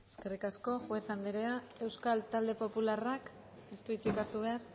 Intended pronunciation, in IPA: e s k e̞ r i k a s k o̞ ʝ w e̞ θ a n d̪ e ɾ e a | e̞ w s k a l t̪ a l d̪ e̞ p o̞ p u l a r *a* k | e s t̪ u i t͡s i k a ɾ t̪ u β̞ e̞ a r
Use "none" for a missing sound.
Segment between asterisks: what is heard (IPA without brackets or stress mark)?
a